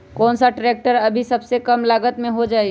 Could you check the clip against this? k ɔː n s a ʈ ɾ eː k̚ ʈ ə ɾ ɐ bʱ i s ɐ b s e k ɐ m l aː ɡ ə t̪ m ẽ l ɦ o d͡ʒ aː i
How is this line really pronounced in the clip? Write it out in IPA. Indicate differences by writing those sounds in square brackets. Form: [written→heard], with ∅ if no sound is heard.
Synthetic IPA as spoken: k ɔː n s a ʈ ɾ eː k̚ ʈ ə ɾ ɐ bʱ i s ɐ b s e k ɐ m l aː ɡ ə t̪ m ẽ [l→∅] ɦ o d͡ʒ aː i